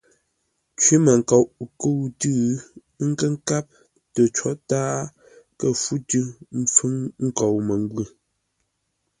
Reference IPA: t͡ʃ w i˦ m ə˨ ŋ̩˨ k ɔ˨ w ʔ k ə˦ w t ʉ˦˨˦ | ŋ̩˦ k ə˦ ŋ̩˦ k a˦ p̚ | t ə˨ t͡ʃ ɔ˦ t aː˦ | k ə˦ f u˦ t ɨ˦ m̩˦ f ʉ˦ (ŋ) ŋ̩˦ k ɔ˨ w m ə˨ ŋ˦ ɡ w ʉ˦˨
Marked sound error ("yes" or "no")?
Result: no